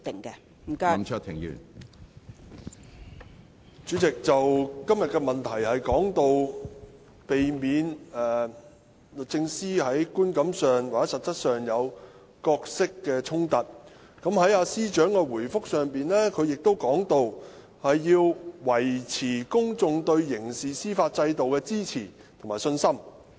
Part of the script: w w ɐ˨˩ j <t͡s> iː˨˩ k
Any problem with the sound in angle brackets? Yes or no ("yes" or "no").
yes